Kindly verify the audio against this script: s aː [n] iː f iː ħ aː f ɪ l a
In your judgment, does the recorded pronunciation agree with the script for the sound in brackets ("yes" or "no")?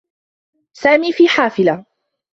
no